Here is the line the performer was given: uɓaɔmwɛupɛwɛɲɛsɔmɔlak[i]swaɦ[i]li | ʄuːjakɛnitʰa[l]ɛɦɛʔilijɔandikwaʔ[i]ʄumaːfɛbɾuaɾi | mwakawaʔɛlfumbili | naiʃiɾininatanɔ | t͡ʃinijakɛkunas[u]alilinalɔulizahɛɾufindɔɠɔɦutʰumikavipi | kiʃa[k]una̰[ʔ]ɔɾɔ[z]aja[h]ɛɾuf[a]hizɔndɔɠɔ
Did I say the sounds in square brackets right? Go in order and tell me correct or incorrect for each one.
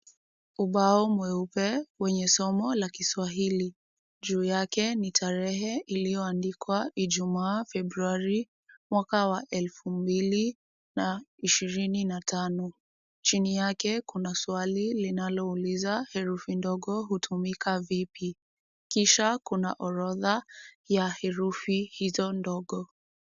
correct, correct, incorrect: ɾ, correct, incorrect: w, correct, correct, incorrect: ð, correct, incorrect: i

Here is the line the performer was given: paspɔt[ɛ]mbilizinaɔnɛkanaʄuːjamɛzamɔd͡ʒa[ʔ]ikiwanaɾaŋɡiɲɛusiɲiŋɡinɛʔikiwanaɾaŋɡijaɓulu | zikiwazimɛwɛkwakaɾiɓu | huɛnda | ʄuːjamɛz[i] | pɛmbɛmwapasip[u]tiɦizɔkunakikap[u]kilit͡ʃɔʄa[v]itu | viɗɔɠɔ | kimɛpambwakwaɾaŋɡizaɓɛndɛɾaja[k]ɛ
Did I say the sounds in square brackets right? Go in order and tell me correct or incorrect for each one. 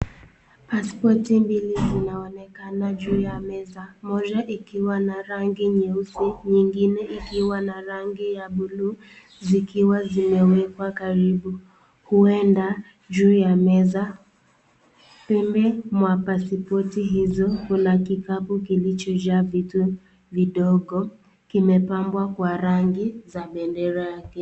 incorrect: i, correct, incorrect: a, incorrect: ɔ, correct, correct, correct

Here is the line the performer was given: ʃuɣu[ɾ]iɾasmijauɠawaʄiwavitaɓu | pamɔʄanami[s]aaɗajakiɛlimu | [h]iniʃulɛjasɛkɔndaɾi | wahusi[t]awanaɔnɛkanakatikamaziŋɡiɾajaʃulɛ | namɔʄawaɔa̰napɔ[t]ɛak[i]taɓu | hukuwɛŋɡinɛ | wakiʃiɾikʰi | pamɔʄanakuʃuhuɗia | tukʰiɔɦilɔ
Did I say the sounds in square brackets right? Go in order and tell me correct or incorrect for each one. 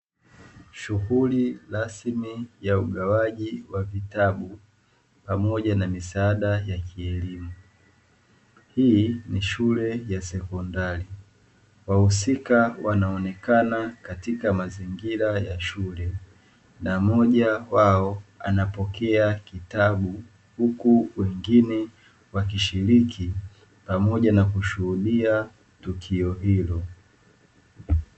incorrect: l, correct, correct, incorrect: k, incorrect: k, correct

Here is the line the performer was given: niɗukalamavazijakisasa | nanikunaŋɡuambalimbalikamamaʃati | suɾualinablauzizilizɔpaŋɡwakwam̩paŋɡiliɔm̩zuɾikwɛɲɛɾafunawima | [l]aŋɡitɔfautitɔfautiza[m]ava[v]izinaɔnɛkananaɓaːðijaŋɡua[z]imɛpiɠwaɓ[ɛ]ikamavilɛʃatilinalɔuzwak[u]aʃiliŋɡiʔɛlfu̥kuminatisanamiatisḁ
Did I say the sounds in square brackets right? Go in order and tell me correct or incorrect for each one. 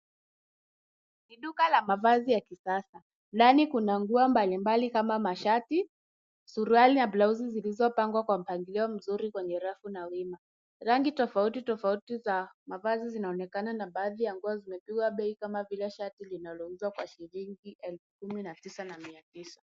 incorrect: ɾ, correct, incorrect: z, correct, correct, incorrect: w

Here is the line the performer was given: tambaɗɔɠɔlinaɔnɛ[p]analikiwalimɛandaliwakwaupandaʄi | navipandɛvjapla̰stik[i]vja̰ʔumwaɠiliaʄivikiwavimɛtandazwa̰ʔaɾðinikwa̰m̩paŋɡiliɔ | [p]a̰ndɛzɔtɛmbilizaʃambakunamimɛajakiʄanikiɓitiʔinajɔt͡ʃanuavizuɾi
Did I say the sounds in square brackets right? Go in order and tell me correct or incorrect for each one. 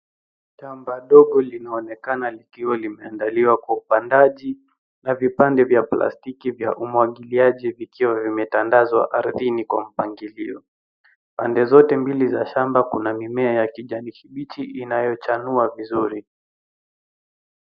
incorrect: k, correct, correct

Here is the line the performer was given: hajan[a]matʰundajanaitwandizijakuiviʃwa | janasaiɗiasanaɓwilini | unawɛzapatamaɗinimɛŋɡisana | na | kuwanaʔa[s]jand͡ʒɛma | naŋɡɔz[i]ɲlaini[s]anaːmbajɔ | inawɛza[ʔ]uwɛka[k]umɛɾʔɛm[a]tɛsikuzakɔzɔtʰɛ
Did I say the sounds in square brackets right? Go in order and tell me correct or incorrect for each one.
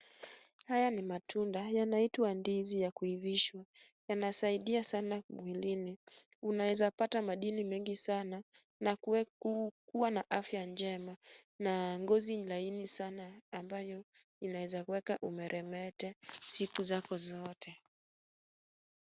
incorrect: i, incorrect: f, correct, correct, incorrect: k, incorrect: ʔ, incorrect: ɛ

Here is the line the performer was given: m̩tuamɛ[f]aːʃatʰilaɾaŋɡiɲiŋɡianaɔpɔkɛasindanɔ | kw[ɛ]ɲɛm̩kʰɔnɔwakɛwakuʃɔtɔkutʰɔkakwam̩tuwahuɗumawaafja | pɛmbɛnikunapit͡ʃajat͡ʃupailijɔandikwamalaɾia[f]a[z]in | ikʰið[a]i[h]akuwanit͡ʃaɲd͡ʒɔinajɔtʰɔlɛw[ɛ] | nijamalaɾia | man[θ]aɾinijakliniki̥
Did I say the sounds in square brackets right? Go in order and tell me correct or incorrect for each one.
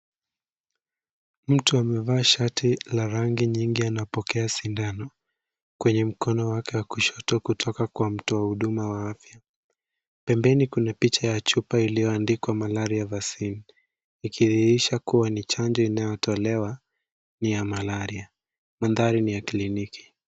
incorrect: v, correct, incorrect: v, incorrect: s, incorrect: i, incorrect: ʃ, incorrect: a, incorrect: ð

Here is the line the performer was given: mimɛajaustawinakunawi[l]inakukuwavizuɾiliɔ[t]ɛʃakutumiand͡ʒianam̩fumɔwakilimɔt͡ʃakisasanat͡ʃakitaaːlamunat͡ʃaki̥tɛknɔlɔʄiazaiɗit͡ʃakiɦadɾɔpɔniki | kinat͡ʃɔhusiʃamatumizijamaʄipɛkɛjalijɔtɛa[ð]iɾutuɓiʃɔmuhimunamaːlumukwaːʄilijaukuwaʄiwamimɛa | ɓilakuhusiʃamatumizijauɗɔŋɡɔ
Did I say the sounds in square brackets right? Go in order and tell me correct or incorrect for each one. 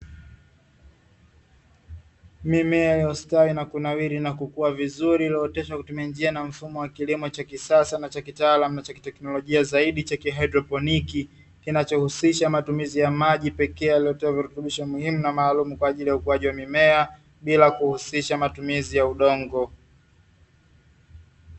incorrect: ɾ, correct, incorrect: v

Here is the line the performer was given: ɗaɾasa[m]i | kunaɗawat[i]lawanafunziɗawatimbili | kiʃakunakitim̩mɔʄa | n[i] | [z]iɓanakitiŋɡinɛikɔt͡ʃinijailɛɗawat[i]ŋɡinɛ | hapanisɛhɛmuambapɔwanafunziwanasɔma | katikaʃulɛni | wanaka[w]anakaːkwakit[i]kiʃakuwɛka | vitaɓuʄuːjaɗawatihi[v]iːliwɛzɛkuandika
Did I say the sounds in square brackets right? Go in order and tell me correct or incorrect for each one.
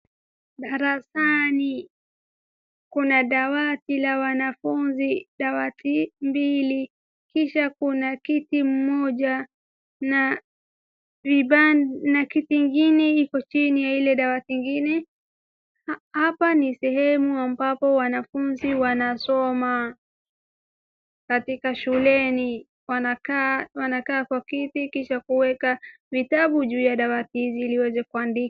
incorrect: n, correct, incorrect: a, incorrect: v, correct, correct, correct, incorrect: z

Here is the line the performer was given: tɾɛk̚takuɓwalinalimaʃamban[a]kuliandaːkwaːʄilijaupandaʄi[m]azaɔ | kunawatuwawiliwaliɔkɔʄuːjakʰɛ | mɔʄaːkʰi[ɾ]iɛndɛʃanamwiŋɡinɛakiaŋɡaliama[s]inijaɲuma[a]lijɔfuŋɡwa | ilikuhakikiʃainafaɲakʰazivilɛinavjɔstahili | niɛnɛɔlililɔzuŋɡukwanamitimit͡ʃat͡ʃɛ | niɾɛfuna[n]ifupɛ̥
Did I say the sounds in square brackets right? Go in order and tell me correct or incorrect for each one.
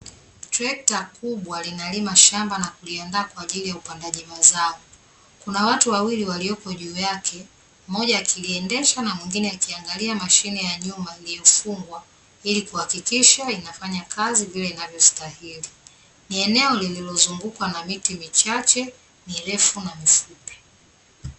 correct, correct, incorrect: l, incorrect: ʃ, incorrect: i, incorrect: m

